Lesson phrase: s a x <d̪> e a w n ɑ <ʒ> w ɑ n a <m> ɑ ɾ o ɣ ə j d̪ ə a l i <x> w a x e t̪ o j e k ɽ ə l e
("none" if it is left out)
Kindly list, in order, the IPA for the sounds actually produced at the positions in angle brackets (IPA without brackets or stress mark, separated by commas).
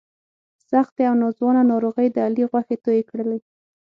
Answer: t̪, z, n, ɣ